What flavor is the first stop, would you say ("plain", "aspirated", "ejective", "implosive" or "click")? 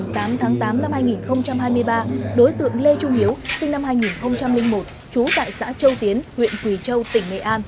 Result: plain